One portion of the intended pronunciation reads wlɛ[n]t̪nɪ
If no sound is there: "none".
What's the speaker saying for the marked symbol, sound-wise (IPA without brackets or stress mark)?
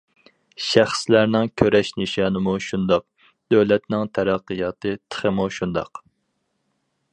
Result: none